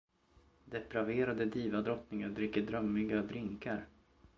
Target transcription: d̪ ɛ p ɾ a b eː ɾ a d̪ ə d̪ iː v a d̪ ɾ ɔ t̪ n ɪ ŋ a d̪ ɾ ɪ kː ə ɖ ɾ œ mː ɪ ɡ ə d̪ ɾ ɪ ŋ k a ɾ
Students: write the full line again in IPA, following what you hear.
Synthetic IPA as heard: d̪ ɛ p ɾ a v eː ɾ a d̪ ə d̪ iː v a d̪ ɾ ɔ t̪ n ɪ ŋ a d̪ ɾ ɪ kː ə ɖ ɾ œ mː ɪ ɡ a d̪ ɾ ɪ ŋ k a ɾ